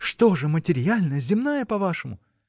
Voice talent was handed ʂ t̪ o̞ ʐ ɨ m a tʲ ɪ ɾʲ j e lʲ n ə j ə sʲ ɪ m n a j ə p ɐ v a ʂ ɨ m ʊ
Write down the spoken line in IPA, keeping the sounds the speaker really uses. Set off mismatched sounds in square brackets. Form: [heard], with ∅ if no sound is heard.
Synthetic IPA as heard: ʂ t̪ o̞ ʐ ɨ m [ə] tʲ ɪ ɾʲ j [a] lʲ n ə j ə [zʲ] ɪ m n a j ə p ɐ v a ʂ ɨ m ʊ